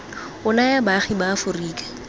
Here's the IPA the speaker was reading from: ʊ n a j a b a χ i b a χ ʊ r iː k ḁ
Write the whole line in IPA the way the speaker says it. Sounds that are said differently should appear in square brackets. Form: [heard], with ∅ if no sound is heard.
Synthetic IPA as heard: ʊ n a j a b a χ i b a [f] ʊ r iː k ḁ